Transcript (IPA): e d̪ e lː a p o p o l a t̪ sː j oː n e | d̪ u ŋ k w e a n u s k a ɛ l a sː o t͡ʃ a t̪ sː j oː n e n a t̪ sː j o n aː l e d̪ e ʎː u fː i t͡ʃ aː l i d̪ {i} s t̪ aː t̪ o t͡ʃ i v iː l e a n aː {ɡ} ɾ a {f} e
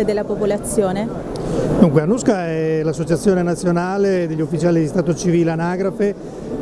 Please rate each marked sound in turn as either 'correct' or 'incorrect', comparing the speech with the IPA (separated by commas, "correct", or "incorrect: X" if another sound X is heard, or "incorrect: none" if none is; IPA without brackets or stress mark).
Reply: correct, correct, correct